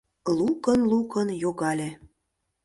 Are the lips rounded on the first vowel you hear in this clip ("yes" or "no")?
yes